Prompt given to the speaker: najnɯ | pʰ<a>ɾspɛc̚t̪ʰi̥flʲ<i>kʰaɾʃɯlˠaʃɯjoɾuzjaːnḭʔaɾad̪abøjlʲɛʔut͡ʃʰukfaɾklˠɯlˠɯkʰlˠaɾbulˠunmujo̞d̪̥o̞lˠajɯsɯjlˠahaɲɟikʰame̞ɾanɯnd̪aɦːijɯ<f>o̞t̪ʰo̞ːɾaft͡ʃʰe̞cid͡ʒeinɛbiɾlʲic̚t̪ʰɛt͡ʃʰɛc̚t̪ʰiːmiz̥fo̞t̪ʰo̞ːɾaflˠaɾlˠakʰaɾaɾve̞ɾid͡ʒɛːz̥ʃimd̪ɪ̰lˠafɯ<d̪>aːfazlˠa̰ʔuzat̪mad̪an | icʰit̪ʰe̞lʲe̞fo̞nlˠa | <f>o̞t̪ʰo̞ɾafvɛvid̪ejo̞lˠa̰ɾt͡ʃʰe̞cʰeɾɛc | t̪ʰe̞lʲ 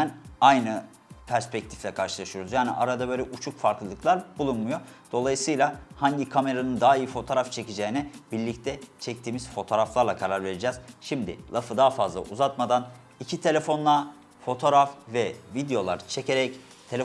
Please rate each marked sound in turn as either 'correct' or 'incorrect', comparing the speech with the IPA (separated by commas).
incorrect, incorrect, correct, correct, correct